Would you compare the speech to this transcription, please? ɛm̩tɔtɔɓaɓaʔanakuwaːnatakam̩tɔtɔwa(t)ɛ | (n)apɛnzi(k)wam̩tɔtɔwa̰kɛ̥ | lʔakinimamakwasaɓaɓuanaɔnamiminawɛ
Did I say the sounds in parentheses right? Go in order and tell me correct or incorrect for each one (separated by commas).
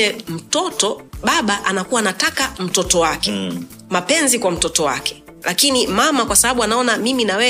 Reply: incorrect, incorrect, correct